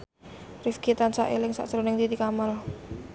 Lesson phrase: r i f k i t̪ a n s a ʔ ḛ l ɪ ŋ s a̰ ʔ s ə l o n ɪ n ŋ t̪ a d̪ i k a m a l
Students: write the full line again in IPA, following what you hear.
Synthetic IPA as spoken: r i f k i t̪ a n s a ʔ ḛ l ɪ ŋ s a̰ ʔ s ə ɾ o n ɪ ŋ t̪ i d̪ i k a m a l